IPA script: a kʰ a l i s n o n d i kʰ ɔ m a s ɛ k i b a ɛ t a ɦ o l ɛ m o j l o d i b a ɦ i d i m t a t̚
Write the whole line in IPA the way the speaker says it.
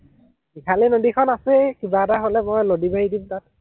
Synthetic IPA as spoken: i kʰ a l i n o d i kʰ ɔ n a s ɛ k i b a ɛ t a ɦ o l ɛ m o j l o d i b a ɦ i d i m t a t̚